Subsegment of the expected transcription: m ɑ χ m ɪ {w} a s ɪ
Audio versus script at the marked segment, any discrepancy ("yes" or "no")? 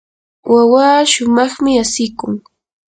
yes